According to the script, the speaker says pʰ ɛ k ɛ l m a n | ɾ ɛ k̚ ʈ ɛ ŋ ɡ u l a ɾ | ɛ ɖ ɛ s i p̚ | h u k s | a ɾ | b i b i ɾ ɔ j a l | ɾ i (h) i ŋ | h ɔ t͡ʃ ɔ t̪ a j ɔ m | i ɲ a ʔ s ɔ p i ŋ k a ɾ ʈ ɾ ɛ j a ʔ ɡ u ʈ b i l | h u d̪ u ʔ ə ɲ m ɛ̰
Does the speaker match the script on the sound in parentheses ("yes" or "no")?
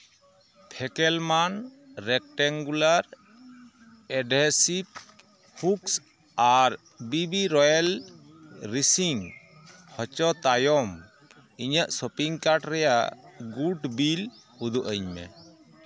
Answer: no